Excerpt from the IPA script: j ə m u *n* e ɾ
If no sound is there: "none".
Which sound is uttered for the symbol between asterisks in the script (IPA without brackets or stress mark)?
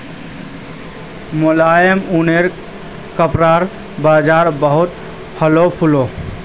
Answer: n